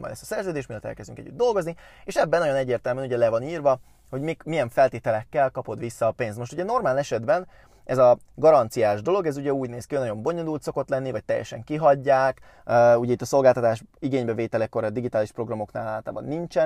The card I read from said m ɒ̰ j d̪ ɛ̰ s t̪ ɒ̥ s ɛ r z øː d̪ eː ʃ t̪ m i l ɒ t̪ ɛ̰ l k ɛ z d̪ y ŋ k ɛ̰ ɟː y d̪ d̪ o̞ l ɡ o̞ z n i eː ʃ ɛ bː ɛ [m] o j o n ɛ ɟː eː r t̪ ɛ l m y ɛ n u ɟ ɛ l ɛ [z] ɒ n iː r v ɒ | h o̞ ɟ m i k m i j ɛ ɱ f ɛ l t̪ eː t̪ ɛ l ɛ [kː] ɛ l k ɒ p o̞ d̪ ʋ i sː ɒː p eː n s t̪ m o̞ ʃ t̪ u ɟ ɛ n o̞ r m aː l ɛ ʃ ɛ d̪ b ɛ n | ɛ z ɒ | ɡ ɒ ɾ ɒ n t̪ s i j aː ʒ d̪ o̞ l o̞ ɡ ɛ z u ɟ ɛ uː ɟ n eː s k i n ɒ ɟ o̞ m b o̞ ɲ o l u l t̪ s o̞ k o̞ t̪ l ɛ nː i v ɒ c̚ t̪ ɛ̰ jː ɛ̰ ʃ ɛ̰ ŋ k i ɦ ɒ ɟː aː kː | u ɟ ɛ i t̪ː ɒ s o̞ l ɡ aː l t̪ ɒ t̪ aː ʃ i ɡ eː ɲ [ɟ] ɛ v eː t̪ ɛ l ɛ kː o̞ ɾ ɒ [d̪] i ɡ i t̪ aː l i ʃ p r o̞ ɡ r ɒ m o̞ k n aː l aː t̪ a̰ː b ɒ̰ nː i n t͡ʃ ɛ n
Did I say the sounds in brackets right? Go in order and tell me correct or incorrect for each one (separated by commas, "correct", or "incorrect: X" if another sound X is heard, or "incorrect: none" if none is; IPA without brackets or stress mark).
incorrect: n, incorrect: v, correct, incorrect: b, correct